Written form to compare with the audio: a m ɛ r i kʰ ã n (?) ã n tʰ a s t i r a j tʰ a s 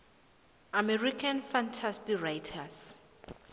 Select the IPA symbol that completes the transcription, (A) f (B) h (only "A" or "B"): A